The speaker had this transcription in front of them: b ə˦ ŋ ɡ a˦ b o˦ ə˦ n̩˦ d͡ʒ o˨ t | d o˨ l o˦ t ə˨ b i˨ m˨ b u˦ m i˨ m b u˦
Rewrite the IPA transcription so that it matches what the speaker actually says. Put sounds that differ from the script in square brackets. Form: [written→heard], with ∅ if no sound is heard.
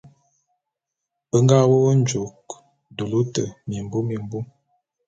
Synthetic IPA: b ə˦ ŋ ɡ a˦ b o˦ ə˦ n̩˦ d͡ʒ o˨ [t→k] | d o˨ l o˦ t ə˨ [b→m] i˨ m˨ b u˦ m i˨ m b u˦

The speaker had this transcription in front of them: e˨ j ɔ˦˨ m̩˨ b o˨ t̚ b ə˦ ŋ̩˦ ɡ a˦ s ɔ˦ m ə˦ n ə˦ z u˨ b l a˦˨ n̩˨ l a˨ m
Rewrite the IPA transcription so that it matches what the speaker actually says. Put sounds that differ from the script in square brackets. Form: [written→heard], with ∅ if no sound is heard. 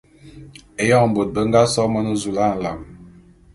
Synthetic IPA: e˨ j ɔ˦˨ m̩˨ b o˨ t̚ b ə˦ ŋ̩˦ ɡ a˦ s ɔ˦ m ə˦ n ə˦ z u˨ [b→∅] l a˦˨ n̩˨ l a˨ m

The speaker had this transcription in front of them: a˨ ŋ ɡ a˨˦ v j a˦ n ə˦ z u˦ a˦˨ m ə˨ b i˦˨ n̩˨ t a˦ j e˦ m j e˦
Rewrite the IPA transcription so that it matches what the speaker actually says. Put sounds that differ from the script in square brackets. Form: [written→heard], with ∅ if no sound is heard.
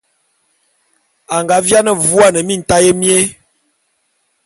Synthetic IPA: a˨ ŋ ɡ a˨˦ v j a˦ n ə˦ [z→v] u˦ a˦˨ [m→n] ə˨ [b→m] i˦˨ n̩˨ t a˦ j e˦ m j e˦

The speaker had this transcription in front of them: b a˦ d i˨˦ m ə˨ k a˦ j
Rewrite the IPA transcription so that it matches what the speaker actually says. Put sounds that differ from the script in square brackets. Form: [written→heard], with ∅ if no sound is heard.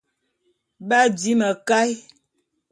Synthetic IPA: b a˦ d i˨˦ m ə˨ k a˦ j

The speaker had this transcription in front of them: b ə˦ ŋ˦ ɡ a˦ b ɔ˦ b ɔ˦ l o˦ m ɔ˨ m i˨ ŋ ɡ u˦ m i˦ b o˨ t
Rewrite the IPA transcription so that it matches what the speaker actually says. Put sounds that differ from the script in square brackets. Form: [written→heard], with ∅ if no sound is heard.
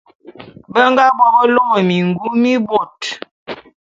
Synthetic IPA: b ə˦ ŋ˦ ɡ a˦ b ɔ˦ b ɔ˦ l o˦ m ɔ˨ m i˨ ŋ ɡ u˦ m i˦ b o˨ t

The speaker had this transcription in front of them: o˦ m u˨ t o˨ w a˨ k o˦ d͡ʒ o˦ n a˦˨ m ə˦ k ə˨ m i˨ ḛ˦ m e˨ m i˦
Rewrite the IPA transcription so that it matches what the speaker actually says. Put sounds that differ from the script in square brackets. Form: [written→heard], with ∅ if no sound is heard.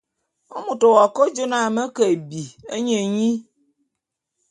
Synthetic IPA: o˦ m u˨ t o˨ w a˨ k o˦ d͡ʒ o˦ n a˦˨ m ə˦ k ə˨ [m→b] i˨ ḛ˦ [m→ɲ] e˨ [m→ɲ] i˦

